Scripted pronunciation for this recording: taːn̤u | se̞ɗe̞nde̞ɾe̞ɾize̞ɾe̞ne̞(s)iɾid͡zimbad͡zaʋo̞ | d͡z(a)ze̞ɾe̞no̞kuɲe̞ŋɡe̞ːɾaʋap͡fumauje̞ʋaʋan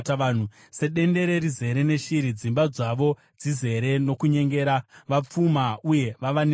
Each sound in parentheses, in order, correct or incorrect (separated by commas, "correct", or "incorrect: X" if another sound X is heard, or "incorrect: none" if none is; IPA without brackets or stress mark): incorrect: ʃ, incorrect: i